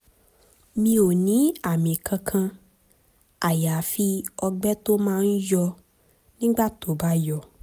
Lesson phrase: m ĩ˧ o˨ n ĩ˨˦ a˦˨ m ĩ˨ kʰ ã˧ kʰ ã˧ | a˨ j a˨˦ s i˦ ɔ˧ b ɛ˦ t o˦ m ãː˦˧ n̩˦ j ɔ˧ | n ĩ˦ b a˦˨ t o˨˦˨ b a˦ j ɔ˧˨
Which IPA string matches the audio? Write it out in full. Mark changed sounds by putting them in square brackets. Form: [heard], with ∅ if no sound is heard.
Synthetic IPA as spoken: m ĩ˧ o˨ n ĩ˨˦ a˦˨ m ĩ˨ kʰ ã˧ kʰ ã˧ | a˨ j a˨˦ [f] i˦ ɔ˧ [ɡ͡b] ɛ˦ t o˦ m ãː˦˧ n̩˦ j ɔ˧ | n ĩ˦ [ɡ͡b] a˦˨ t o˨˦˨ b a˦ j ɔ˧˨